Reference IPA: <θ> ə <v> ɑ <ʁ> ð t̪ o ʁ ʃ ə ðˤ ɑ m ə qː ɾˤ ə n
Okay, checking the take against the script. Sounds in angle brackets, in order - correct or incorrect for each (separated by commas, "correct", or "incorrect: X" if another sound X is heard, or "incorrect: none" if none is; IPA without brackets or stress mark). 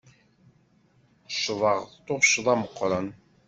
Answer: incorrect: ʃ, correct, correct